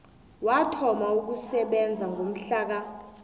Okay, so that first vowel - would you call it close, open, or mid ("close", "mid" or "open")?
open